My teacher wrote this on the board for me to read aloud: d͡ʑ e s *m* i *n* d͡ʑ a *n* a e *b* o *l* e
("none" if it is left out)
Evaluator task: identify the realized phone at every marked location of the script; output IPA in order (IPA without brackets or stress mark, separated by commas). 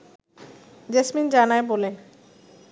m, n, n, b, l